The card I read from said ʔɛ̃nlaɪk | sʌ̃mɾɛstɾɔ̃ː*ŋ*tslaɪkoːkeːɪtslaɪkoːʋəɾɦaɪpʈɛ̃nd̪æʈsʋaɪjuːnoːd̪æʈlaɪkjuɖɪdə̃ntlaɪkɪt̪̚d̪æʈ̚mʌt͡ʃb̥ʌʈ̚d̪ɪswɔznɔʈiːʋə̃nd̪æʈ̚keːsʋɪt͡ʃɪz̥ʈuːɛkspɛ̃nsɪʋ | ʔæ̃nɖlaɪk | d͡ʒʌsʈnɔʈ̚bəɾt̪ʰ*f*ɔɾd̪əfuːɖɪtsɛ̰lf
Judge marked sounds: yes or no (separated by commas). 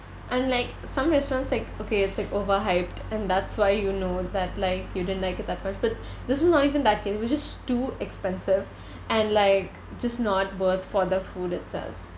no, yes